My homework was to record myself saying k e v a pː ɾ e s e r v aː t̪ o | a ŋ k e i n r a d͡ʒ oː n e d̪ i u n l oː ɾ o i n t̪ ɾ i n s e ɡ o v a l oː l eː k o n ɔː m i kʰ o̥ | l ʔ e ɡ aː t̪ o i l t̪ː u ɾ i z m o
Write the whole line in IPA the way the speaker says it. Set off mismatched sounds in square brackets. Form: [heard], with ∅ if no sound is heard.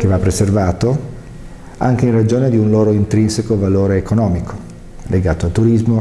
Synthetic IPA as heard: k e v a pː ɾ e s e r v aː t̪ o | a ŋ k e i n r a d͡ʒ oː n e d̪ i u n l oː ɾ o i n t̪ ɾ i n s e [k] o v a l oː [ɾ] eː k o n ɔː m i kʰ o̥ | l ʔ e ɡ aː t̪ o [a] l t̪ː u ɾ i z m o